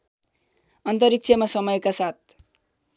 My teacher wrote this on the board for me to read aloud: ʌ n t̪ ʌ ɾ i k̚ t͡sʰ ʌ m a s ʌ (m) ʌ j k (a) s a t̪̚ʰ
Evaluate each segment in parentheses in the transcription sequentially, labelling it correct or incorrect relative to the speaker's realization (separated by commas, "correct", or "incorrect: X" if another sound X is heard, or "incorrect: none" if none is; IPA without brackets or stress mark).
correct, correct